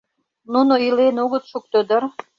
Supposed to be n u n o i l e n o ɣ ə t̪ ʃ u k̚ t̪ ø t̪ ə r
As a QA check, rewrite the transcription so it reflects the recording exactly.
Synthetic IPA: n u n o i l e n o ɣ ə t̪ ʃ u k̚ t̪ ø d̪ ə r